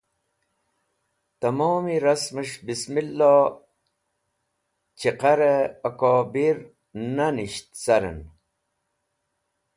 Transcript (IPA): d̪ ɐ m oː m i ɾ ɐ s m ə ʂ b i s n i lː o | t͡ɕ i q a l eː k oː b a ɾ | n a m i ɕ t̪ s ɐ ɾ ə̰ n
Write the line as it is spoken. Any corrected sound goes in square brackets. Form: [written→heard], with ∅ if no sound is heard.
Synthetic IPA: [d̪→t̪] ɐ m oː m i ɾ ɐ s m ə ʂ b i s [n→m] i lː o | t͡ɕ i q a [l→ɾ] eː k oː b [a→i] ɾ | n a [m→n] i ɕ t̪ s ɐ ɾ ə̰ n